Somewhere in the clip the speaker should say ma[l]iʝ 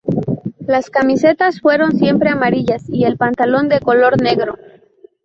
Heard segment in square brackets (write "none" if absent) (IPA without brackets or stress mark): ɾ